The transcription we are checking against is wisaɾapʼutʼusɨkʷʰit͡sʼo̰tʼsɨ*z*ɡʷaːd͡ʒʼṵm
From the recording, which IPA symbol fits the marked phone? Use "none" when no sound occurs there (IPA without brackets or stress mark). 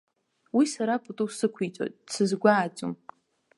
z